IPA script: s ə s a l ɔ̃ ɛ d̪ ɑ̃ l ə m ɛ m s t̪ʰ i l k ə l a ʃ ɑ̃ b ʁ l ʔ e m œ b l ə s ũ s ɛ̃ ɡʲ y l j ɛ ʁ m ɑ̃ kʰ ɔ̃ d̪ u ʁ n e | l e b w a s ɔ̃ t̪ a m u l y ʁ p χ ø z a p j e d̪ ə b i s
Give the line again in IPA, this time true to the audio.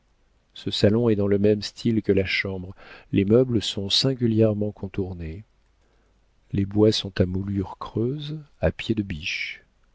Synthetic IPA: s ə s a l ɔ̃ ɛ d̪ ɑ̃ l ə m ɛ m s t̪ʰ i l k ə l a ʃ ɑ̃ b ʁ l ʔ e m œ b l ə s ɔ̃ s ɛ̃ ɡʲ y l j ɛ ʁ m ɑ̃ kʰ ɔ̃ t̪ u ʁ n e | l e b w a s ɔ̃ t̪ a m u l y ʁ k χ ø z a p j e d̪ ə b i ʃ

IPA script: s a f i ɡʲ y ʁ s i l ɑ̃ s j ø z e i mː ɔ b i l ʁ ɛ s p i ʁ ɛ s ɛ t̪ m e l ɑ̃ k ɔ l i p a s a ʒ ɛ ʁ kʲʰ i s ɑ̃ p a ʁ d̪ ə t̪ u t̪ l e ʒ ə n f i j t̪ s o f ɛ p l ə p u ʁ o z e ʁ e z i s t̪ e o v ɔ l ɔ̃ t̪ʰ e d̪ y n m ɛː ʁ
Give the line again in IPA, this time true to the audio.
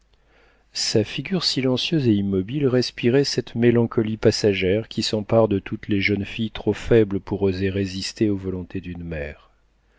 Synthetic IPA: s a f i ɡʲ y ʁ s i l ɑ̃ s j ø z e i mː ɔ b i l ʁ ɛ s p i ʁ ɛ s ɛ t̪ m e l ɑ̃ k ɔ l i p a s a ʒ ɛ ʁ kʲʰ i s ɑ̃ p a ʁ d̪ ə t̪ u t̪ l e ʒ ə n f i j t̪ χ o f ɛ b l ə p u ʁ o z e ʁ e z i s t̪ e o v ɔ l ɔ̃ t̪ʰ e d̪ y n m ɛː ʁ

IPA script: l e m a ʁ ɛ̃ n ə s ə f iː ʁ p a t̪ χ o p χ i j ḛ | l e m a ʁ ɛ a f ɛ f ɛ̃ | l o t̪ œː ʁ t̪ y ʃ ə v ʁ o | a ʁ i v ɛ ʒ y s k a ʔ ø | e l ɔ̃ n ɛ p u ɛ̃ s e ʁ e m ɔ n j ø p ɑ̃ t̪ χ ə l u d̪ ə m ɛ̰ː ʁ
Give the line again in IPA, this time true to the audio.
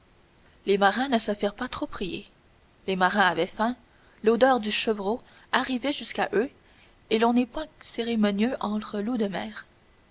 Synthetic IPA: l e m a ʁ ɛ̃ n ə s ə f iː ʁ p a t̪ χ o p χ i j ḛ | l e m a ʁ ɛ̃ a v ɛ f ɛ̃ | l o d̪ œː ʁ d̪ y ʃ ə v ʁ o | a ʁ i v ɛ ʒ y s k a ʔ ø | e l ɔ̃ n ɛ p w ɛ̃ s e ʁ e m ɔ n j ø ʔ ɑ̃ t̪ χ ə l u d̪ ə m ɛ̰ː ʁ

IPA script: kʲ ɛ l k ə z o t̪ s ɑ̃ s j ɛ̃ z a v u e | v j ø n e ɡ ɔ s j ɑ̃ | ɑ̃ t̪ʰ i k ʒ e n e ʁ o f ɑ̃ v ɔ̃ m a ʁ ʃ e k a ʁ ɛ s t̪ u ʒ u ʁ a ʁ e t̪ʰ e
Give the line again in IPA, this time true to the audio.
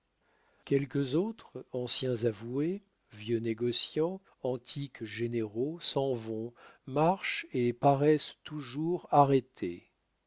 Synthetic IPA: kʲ ɛ l k ə z o t̪ χ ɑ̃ s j ɛ̃ z a v u e | v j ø n e ɡ ɔ s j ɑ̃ | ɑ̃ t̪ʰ i k ʒ e n e ʁ o s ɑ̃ v ɔ̃ m a ʁ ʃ e p a ʁ ɛ s t̪ u ʒ u ʁ a ʁ e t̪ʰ e

